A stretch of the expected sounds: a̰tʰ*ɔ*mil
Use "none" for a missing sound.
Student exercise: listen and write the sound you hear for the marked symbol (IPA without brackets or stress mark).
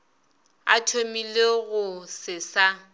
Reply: o